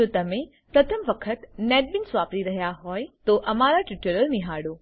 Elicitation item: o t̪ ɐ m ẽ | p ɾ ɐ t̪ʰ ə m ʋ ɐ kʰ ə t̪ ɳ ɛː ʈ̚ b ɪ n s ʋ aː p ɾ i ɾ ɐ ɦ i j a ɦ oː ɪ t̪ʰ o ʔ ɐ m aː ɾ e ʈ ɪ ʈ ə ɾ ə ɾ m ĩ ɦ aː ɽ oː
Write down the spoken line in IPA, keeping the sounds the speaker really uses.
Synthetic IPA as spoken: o t̪ ɐ m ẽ | p ɾ ɐ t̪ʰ ə m ʋ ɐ kʰ ə t̪ n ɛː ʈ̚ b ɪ n s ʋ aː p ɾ i ɾ ɐ ɦ i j a ɦ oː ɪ t̪ o ʔ ɐ m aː ɾ a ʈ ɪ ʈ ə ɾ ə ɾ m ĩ ɦ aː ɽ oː